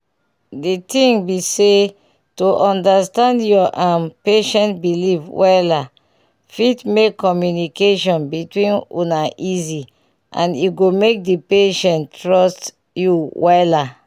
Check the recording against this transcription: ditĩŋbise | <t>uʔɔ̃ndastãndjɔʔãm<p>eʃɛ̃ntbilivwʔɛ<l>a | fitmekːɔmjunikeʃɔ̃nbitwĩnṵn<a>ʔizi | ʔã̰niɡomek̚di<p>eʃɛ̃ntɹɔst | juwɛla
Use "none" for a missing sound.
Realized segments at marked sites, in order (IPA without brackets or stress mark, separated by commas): t, p, l, a, p